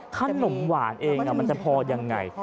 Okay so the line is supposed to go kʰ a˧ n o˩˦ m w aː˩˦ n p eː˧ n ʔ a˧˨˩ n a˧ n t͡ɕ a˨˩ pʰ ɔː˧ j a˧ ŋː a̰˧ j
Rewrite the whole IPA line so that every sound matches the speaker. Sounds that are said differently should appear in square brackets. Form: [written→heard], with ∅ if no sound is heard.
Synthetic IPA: kʰ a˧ n o˩˦ m w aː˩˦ n [p→ʔ] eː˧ [n→ŋ] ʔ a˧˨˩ [n→m] a˧ n t͡ɕ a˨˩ pʰ ɔː˧ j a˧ ŋː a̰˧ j